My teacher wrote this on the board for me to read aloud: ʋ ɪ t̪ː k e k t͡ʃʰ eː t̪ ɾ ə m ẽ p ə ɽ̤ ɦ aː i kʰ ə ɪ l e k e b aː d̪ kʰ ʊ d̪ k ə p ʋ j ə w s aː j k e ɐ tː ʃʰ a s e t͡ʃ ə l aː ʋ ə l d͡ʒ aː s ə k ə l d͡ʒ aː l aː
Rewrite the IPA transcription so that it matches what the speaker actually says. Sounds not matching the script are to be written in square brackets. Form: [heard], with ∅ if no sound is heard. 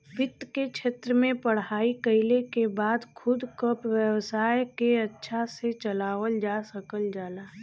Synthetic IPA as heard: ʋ ɪ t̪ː k e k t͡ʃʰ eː t̪ ɾ ə m ẽ p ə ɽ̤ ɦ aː i [k] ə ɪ l e k e b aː d̪ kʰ ʊ d̪ k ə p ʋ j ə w s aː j k e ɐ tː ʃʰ a s e t͡ʃ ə l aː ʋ ə l d͡ʒ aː s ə k ə l d͡ʒ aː l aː